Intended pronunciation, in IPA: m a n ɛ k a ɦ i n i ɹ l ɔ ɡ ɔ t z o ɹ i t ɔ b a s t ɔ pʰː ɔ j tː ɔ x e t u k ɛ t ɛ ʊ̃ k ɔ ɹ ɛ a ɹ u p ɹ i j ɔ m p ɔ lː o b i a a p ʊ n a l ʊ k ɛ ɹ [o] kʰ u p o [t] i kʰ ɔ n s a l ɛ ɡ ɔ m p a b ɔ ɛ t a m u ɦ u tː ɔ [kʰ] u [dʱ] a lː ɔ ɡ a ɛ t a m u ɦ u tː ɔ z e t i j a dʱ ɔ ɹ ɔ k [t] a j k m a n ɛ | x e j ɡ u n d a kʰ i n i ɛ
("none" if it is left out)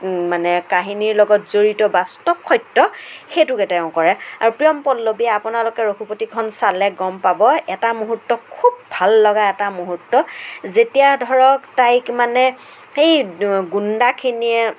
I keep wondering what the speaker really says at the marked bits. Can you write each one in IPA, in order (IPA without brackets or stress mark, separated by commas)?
o, t, kʰ, bʱ, t